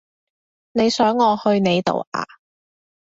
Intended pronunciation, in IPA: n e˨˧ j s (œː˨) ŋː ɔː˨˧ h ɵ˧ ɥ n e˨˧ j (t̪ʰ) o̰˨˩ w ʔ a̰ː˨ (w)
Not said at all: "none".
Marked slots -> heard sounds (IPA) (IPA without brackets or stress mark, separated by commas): œː˨˥, t̪, none